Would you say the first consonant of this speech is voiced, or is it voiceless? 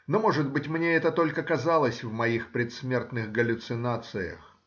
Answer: voiced